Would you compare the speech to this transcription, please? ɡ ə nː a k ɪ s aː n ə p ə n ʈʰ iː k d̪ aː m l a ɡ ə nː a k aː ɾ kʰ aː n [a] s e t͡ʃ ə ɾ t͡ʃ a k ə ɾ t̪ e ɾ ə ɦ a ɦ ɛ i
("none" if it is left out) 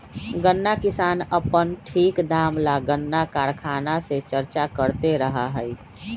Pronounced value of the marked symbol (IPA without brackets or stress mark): a